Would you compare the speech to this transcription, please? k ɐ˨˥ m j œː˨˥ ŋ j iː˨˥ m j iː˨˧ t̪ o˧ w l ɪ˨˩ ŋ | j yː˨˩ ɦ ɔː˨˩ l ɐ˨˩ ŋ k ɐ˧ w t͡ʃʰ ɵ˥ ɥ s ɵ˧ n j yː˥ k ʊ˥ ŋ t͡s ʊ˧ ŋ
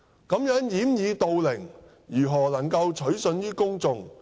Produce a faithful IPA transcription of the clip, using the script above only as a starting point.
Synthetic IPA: k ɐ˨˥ m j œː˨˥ ŋ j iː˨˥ m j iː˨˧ t̪ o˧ w l ɪ˨˩ ŋ | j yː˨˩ ɦ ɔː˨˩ l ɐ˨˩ ŋ k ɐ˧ w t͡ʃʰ ɵ˨˥ ɥ s ɵ˧ n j yː˥ k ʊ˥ ŋ t͡s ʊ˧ ŋ

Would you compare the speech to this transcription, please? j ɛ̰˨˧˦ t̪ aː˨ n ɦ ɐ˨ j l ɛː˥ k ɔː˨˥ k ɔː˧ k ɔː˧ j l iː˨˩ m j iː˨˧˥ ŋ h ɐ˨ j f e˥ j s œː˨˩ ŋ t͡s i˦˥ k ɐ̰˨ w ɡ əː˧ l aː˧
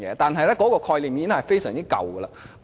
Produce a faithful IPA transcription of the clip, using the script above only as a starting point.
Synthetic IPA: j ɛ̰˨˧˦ t̪ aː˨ n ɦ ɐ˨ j l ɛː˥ k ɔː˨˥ k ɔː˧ kʰ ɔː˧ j l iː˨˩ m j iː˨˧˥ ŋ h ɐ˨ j f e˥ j s œː˨˩ ŋ t͡s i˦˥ k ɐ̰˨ w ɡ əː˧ l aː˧

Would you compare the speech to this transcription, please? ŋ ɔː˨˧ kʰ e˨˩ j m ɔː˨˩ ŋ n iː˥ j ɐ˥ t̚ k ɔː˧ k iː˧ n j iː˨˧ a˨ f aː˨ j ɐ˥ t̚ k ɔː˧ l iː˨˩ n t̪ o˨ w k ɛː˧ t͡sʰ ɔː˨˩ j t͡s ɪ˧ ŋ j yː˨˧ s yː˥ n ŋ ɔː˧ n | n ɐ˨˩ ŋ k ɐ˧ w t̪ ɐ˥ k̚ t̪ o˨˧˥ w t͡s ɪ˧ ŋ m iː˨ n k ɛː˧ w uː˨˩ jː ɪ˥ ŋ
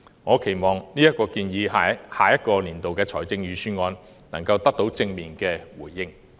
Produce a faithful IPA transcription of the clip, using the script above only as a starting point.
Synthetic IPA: ŋ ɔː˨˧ kʰ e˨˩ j m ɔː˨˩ ŋ n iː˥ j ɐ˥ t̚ k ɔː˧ k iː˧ n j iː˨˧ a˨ h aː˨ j ɐ˥ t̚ k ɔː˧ l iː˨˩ n t̪ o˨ w k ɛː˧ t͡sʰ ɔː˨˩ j t͡s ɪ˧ ŋ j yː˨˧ s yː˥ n ŋ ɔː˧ n | n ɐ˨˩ ŋ k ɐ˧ w t̪ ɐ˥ k̚ t̪ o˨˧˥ w t͡s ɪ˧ ŋ m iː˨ n k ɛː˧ w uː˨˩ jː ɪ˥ ŋ

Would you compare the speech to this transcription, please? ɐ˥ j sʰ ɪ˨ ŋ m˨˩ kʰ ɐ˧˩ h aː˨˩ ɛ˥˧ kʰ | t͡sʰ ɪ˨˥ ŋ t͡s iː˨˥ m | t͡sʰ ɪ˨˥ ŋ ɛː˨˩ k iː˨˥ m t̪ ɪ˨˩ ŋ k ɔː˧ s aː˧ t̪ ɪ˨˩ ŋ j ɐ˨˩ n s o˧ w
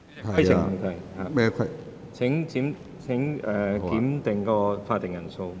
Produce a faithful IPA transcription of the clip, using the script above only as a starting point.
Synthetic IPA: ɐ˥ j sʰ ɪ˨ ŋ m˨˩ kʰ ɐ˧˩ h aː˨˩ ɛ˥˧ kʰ | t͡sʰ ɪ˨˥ ŋ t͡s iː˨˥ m | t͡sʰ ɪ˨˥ ŋ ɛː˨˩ k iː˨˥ m t̪ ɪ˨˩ ŋ k ɔː˧ f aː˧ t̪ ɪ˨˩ ŋ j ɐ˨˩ n s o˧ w

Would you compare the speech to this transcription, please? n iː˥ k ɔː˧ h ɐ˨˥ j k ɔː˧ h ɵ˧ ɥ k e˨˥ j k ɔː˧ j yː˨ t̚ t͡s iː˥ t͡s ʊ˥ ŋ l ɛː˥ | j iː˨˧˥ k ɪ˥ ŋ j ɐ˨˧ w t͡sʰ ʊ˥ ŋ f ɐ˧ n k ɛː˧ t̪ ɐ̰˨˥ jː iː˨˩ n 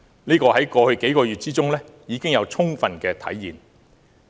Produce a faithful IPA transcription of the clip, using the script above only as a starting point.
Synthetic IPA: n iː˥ k ɔː˧ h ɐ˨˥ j k ɔː˧ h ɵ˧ ɥ k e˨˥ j k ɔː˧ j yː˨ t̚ t͡s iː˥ t͡s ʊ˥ ŋ l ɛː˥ | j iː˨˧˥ k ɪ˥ ŋ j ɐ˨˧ w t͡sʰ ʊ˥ ŋ f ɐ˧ n k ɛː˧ t̪ʰ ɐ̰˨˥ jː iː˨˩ n

